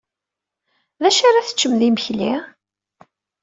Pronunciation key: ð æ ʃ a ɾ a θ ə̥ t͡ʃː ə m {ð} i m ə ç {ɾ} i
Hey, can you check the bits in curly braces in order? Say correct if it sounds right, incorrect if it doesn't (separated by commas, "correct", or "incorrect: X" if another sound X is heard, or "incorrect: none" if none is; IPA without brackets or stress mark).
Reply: correct, incorrect: l